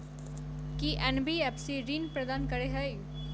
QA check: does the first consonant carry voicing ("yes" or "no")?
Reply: no